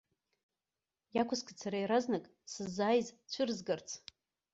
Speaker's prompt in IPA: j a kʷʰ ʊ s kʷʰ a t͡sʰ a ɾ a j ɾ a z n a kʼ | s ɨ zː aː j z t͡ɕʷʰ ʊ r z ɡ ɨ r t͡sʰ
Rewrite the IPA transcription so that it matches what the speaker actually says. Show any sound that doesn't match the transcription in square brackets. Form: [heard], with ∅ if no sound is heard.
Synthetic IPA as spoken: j a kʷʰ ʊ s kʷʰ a t͡sʰ a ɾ a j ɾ a z n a kʼ | s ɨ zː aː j z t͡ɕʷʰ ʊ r z ɡ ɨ r t͡sʰ